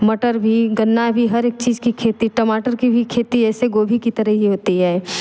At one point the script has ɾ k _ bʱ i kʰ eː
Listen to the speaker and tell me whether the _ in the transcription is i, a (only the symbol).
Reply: i